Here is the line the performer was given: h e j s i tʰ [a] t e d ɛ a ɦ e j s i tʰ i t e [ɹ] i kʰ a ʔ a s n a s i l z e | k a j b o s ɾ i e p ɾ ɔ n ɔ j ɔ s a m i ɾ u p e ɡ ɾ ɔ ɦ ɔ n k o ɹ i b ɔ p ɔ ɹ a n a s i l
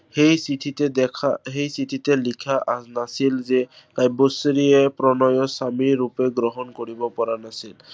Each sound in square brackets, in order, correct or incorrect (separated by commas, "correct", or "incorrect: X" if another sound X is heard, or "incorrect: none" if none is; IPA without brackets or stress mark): incorrect: i, incorrect: l